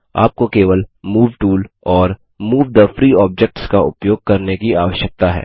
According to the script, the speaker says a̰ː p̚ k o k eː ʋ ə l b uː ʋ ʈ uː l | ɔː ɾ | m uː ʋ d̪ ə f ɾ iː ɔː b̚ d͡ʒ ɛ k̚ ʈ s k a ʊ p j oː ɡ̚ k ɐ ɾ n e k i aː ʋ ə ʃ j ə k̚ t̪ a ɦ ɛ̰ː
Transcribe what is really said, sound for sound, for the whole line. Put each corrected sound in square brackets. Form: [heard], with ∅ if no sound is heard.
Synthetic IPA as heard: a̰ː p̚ k o k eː ʋ ə l [m] uː ʋ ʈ uː l | ɔː ɾ | m uː ʋ d̪ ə f ɾ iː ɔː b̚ d͡ʒ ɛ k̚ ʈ s k a ʊ p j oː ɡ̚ k ɐ ɾ n e k i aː ʋ ə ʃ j ə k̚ t̪ a ɦ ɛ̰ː